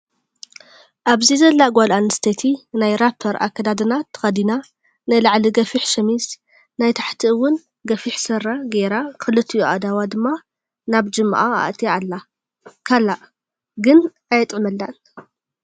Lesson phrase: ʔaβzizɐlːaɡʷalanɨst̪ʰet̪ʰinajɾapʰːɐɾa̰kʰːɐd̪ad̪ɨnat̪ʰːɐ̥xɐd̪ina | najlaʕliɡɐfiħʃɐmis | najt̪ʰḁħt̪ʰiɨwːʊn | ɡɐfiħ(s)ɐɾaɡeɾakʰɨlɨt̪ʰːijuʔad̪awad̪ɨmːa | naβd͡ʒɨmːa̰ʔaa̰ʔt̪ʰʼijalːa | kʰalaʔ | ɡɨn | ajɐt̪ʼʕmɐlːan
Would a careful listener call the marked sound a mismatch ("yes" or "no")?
no